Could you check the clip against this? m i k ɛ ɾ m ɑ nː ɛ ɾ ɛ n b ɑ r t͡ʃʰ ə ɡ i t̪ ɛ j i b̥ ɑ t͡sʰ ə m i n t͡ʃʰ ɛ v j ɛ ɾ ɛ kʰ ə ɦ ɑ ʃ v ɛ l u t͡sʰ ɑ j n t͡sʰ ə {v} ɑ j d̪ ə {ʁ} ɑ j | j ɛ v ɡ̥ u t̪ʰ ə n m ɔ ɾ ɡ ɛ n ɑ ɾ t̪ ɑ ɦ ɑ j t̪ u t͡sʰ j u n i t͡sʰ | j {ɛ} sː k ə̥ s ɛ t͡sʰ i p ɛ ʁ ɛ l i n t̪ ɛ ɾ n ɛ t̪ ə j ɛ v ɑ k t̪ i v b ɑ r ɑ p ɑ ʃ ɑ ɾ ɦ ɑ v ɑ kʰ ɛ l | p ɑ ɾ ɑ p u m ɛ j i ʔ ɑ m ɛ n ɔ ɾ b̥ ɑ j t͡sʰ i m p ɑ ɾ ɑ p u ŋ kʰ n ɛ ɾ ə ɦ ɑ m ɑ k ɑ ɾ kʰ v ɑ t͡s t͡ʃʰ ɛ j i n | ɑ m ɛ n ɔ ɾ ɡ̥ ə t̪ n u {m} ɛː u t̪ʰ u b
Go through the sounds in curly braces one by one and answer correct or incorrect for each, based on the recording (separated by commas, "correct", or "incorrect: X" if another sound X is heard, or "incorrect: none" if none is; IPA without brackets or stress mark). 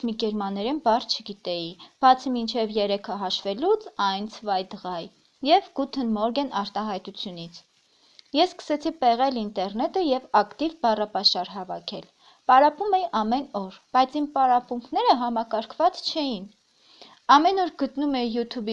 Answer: correct, correct, correct, correct